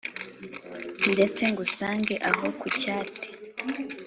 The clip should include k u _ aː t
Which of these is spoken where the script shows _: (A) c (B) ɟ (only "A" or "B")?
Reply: A